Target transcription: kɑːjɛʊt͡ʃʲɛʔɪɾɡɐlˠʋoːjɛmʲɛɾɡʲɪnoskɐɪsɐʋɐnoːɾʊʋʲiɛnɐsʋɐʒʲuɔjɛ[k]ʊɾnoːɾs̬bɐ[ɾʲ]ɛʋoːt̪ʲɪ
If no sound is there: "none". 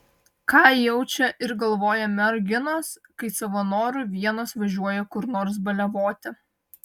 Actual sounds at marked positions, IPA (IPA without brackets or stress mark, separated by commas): k, lʲ